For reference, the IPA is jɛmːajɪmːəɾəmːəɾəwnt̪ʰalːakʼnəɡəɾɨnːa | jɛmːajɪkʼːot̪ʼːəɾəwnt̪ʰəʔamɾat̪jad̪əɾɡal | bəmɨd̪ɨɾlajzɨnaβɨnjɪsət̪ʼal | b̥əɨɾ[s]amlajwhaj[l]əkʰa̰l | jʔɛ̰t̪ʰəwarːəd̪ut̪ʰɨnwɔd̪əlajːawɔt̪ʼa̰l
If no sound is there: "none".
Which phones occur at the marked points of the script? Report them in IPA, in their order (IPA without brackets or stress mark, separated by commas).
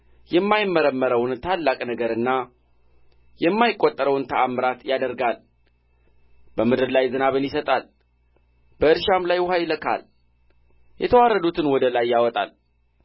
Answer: ʃ, l